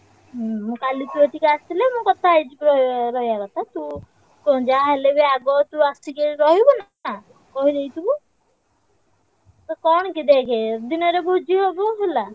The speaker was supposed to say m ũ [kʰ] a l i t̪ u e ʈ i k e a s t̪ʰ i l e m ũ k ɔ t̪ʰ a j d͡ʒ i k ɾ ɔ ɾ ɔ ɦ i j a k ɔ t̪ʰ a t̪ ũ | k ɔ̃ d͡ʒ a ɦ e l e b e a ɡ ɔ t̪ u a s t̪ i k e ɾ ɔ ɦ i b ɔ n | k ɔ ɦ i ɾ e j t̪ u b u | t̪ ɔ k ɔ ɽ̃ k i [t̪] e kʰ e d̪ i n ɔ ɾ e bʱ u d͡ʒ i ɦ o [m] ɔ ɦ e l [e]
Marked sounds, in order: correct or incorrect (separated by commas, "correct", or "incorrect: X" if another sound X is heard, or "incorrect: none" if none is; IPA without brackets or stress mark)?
incorrect: k, incorrect: d̪, incorrect: b, incorrect: a